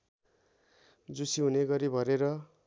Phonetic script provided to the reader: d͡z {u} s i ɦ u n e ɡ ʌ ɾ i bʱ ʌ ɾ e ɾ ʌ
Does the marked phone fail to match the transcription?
no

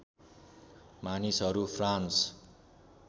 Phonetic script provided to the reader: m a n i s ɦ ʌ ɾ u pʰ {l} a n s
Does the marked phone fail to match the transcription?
yes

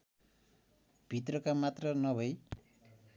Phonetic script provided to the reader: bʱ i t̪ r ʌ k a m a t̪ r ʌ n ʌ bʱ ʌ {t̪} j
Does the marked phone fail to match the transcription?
yes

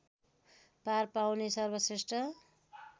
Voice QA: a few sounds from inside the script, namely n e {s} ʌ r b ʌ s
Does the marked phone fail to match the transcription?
no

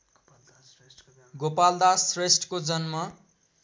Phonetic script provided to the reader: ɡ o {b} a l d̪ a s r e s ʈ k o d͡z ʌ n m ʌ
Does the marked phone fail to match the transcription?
yes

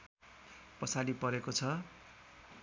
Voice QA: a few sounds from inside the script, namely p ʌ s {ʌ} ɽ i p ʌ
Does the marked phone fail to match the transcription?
yes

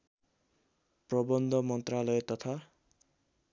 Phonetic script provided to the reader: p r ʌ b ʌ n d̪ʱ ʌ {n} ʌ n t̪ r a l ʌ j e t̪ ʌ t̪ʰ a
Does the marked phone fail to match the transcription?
yes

